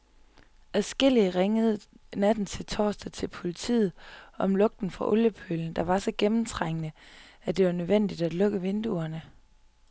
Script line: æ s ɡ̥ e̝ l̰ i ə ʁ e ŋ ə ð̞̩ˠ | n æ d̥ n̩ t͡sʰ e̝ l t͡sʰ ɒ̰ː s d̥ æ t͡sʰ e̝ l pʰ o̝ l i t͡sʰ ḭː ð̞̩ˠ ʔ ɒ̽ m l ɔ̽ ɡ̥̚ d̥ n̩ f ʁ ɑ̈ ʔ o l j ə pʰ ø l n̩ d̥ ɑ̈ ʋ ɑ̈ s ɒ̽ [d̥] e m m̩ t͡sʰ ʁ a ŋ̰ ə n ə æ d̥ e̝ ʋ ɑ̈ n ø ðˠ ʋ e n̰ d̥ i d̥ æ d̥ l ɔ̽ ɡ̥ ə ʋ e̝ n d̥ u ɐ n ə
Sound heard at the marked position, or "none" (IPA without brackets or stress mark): ɡ̥